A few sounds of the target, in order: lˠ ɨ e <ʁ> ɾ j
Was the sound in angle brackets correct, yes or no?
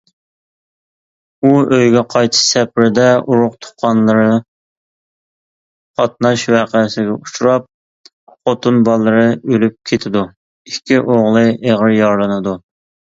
yes